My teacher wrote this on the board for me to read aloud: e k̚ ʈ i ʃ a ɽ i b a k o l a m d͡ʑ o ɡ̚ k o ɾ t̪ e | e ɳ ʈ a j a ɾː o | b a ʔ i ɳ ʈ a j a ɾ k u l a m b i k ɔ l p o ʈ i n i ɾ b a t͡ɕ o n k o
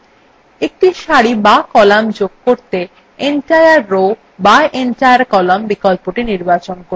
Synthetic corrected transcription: e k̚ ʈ i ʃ a ɽ i b a k ɔ l a m d͡ʑ o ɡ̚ k o ɾ t̪ e | e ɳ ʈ a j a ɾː o | b a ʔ e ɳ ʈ a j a ɾ k ɔ l a m b i k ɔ l p o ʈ i n i ɾ b a t͡ɕ o n k o